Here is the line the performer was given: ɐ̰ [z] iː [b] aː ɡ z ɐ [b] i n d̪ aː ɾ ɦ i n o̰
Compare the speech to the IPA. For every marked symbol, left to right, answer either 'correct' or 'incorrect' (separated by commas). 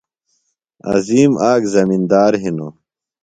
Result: correct, incorrect, incorrect